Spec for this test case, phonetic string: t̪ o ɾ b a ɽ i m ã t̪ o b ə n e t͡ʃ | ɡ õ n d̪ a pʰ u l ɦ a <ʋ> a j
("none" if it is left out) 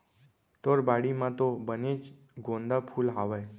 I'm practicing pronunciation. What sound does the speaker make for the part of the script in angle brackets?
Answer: ʋ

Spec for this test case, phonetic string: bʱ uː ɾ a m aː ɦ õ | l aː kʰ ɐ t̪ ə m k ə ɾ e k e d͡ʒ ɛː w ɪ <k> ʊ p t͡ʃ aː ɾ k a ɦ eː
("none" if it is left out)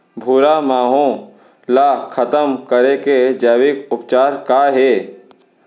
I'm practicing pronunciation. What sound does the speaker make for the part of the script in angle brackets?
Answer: k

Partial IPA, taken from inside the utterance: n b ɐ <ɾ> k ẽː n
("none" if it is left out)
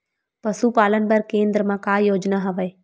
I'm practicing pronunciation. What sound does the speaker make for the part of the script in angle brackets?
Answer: ɾ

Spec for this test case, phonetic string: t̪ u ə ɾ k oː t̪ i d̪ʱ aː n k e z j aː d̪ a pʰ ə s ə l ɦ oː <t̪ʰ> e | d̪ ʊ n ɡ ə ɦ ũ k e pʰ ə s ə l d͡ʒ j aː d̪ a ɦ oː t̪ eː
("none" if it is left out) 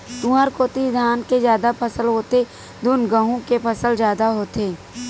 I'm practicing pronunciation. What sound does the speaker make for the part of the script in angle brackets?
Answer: t̪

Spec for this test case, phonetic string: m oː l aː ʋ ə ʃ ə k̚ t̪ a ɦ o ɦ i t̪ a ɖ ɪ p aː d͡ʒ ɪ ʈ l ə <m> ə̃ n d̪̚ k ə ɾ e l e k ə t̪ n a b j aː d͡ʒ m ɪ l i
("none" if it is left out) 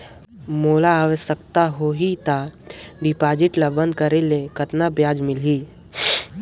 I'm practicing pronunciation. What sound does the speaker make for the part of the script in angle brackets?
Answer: b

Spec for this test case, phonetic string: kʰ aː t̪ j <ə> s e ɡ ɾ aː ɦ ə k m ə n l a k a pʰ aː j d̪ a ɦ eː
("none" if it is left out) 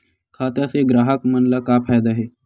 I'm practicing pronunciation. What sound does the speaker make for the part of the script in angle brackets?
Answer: a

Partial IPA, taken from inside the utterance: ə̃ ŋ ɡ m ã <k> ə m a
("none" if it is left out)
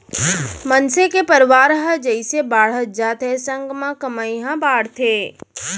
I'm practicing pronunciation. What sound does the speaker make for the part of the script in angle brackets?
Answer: k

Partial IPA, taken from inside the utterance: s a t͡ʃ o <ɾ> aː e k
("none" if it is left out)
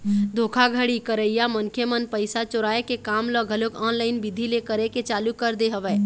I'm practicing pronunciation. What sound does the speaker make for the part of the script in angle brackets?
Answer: ɾ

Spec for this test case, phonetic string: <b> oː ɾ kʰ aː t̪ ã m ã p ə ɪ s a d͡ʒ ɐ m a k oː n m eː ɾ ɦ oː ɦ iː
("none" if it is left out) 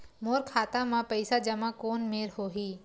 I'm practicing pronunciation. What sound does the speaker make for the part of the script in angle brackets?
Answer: m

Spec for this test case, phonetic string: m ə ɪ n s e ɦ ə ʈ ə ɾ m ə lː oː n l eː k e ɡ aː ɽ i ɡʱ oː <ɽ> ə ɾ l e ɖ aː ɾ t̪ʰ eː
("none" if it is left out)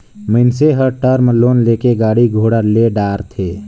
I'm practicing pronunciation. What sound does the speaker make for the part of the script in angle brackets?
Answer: ɽ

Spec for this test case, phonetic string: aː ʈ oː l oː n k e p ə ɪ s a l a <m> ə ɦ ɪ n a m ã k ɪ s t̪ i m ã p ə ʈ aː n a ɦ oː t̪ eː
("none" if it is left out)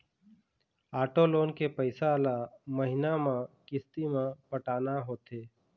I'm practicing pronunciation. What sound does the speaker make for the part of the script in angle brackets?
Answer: m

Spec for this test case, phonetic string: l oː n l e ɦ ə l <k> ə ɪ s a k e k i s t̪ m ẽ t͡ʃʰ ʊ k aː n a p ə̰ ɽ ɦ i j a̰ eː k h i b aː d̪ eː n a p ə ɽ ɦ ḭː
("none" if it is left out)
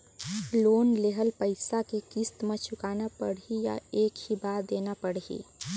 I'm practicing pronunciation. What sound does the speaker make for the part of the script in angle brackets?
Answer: p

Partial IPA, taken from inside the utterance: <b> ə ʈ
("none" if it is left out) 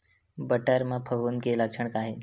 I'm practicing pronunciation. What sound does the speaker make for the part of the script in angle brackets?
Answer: b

